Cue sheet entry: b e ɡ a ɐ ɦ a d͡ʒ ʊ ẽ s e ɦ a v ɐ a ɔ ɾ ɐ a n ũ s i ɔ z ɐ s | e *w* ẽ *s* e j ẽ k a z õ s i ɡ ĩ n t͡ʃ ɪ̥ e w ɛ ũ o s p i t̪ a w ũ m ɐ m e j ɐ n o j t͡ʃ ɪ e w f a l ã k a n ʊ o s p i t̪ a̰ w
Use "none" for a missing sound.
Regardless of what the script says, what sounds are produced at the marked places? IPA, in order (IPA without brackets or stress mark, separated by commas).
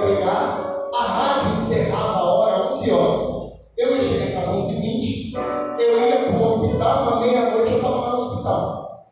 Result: w, ʃ